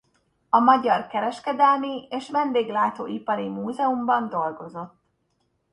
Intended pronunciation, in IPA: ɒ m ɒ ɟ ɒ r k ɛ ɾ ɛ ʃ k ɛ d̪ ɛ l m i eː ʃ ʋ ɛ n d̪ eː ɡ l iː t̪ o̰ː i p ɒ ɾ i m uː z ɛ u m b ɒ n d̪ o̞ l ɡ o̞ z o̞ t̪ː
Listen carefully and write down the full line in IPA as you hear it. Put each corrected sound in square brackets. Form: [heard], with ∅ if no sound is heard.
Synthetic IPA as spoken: ɒ m ɒ ɟ ɒ r k ɛ ɾ ɛ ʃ k ɛ d̪ ɛ l m i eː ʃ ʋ ɛ n d̪ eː ɡ l [aː] t̪ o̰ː i p ɒ ɾ i m uː z ɛ u m b ɒ n d̪ o̞ l ɡ o̞ z o̞ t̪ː